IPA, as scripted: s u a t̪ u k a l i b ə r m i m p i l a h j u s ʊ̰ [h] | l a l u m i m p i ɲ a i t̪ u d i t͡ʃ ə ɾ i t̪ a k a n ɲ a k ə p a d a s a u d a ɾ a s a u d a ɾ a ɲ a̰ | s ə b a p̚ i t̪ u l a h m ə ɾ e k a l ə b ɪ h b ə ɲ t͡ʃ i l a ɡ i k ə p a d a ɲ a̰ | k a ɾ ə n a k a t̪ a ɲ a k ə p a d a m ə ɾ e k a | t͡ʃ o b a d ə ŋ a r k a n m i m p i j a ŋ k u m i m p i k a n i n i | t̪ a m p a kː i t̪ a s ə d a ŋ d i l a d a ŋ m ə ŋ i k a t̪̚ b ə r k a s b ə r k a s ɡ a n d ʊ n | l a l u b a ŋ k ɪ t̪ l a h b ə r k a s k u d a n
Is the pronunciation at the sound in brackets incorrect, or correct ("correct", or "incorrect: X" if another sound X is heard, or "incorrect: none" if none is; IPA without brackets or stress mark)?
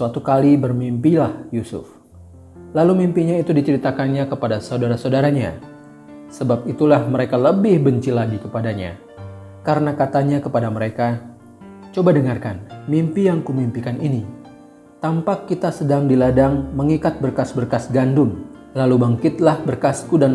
incorrect: f